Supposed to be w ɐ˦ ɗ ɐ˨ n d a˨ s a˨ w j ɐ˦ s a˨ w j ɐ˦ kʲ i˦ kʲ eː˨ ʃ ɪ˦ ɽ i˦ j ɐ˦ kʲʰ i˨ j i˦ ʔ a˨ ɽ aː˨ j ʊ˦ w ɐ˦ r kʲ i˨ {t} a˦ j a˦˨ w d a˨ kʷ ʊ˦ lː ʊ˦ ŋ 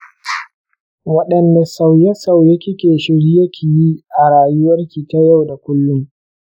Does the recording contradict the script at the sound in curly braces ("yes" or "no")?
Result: no